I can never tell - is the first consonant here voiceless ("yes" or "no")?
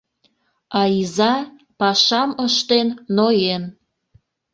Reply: no